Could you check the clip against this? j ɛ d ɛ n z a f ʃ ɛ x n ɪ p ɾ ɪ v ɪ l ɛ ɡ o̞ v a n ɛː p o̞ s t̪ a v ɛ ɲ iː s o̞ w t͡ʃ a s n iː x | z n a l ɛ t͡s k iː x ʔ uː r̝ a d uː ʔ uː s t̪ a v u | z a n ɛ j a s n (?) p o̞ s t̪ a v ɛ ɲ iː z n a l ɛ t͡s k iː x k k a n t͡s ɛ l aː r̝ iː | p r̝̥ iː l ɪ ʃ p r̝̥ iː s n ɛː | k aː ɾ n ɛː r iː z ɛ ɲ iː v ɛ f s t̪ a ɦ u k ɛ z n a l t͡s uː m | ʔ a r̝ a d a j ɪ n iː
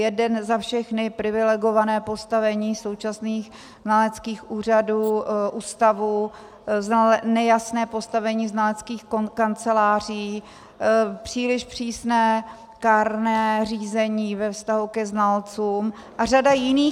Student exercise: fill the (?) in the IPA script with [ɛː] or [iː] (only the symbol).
ɛː